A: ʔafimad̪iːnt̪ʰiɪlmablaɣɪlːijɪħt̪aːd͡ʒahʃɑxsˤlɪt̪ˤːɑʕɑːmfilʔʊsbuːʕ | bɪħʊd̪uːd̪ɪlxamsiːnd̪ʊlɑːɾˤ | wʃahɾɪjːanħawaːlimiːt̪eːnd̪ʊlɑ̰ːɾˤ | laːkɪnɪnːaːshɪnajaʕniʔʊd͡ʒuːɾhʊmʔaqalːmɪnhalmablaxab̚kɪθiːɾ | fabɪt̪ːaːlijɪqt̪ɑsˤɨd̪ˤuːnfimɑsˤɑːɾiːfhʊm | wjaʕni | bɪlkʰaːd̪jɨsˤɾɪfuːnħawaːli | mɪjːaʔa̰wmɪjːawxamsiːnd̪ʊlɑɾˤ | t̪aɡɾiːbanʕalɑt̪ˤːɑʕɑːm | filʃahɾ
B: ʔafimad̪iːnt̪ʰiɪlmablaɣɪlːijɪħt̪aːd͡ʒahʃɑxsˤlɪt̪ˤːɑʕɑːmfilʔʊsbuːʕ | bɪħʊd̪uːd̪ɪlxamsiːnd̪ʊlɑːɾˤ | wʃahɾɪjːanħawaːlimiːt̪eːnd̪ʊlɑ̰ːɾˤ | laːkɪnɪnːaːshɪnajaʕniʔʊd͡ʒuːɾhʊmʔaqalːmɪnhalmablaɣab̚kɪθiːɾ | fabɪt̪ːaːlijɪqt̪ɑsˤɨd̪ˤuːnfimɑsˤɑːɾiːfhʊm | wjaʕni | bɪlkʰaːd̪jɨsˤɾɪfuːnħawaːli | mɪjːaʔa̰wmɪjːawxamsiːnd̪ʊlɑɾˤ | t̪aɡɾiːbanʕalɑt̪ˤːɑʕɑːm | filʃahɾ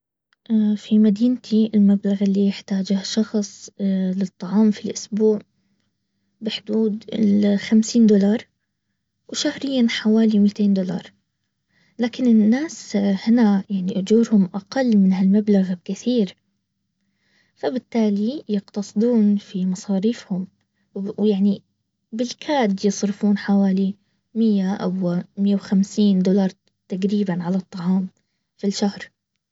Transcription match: B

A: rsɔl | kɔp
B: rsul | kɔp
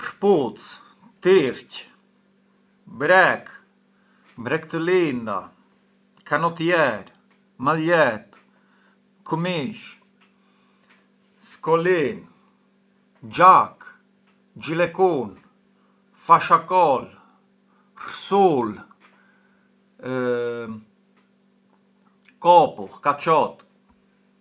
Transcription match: B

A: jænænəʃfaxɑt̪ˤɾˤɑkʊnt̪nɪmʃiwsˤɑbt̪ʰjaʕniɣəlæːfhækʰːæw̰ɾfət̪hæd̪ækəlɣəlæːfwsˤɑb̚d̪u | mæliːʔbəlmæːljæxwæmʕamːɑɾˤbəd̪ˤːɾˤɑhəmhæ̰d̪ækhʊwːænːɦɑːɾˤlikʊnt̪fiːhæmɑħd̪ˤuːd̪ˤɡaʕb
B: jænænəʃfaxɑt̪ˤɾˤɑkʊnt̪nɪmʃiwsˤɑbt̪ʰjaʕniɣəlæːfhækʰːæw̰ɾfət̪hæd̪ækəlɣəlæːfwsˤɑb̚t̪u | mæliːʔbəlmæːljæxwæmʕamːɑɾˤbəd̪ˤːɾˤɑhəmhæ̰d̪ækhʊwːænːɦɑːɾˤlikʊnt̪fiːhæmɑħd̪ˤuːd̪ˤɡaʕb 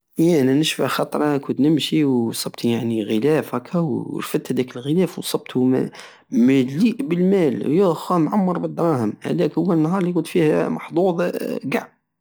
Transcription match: B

